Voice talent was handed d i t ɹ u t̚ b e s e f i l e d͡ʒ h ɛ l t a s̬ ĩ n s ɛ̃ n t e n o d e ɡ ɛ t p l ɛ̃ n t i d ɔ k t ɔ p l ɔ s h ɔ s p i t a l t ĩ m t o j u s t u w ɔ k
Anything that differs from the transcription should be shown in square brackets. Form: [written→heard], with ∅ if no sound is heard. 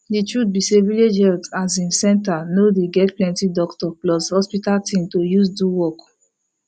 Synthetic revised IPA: d i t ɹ u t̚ b [e→i] s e [f→v] i l e d͡ʒ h ɛ l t a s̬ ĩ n s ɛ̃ n t [e→a] n o d e ɡ ɛ t p l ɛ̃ n t i d ɔ k t ɔ p l ɔ s h ɔ s p i t a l t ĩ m t o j u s [t→d] u w ɔ k